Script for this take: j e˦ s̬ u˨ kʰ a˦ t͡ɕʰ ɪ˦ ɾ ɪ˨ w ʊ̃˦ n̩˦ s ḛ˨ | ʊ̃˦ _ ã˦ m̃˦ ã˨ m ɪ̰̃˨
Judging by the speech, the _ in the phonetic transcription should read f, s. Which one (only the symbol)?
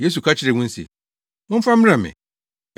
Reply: f